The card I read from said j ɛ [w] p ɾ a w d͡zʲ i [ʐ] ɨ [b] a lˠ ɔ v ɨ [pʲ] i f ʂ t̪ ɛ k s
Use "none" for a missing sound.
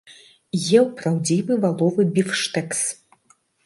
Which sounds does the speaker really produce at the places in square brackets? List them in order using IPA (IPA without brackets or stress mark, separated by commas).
w, v, v, bʲ